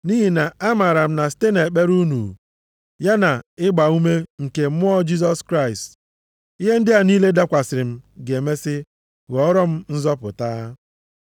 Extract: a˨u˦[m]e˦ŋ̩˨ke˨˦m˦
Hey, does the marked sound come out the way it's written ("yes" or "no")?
yes